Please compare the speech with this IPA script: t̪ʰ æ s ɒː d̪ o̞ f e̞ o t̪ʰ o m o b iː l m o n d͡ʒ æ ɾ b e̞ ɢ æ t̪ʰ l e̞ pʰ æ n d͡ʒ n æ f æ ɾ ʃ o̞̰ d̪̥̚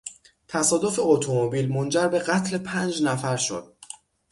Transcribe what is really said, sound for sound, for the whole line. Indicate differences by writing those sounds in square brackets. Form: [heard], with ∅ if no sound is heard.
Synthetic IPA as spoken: t̪ʰ æ s ɒː d̪ o̞ f e̞ o t̪ʰ o m o b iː l m o n d͡ʒ æ ɾ b e̞ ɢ æ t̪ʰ l e̞ pʰ æ n d͡ʒ n æ f æ ɾ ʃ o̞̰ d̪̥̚